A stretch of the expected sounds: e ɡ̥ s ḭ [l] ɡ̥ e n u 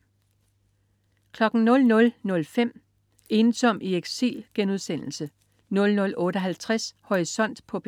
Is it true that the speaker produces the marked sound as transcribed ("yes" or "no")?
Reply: yes